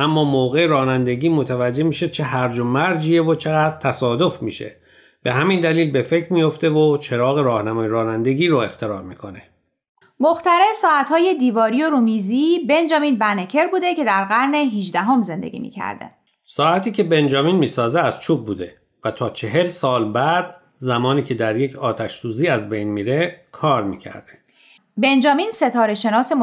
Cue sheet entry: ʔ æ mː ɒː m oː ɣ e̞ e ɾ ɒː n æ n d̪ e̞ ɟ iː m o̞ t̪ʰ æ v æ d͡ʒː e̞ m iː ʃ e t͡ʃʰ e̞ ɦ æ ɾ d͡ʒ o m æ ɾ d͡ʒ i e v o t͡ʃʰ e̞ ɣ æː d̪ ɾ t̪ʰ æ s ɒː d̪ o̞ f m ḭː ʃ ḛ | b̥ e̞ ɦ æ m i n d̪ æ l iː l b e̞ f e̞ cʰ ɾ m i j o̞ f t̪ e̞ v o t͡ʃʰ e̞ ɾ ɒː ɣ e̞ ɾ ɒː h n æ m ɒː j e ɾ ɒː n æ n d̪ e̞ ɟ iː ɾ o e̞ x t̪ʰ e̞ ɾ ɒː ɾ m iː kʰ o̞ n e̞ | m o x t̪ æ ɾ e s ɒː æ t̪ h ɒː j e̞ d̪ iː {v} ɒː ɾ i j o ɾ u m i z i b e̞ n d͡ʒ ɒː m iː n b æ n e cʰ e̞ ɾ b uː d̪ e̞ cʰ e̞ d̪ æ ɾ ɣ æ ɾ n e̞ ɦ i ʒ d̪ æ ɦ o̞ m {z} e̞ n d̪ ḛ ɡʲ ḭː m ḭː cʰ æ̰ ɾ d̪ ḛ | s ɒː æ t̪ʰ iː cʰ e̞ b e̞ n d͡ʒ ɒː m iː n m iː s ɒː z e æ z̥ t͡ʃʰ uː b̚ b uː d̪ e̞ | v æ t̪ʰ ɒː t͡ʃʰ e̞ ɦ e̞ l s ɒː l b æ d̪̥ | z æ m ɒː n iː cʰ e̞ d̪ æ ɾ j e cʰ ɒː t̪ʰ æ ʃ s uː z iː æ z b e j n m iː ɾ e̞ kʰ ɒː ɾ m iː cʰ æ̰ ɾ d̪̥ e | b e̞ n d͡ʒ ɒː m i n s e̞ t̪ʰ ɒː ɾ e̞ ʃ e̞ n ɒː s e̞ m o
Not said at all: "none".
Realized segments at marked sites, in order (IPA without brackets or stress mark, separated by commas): v, z